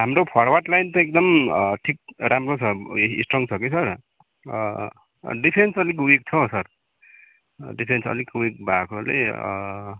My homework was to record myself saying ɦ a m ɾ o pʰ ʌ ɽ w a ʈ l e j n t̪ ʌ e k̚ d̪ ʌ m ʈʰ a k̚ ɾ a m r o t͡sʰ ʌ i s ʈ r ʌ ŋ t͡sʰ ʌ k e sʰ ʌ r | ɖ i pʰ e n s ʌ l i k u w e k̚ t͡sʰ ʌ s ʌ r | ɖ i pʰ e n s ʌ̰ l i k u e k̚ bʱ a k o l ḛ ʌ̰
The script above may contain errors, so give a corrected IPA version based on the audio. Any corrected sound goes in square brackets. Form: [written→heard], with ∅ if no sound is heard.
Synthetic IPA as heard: ɦ a m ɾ o pʰ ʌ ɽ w a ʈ l [e→a] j n t̪ ʌ e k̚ d̪ ʌ m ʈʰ [a→i] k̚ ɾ a m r o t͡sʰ ʌ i s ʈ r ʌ ŋ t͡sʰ ʌ k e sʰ ʌ r | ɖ i pʰ e n s ʌ l i k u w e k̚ t͡sʰ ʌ s ʌ r | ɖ i pʰ e n s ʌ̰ l i k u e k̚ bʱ a k o l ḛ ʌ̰

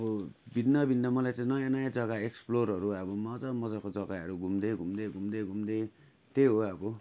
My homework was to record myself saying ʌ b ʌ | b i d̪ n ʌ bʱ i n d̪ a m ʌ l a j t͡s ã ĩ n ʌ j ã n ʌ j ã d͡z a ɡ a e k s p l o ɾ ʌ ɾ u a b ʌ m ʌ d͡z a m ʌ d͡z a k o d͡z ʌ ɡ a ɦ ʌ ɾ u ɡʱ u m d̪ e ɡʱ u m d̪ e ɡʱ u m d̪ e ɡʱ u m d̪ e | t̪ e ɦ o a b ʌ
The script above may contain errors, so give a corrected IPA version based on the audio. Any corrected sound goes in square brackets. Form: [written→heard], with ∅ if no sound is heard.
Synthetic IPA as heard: ʌ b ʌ | b i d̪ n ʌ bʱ i n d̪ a m ʌ l a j t͡s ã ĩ n ʌ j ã n ʌ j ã d͡z [a→ʌ] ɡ a e k s p l o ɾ ʌ ɾ u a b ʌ m ʌ d͡z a m ʌ d͡z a k o d͡z ʌ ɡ a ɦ ʌ ɾ u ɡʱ u m d̪ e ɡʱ u m d̪ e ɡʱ u m d̪ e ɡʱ u m d̪ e | t̪ e ɦ o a b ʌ

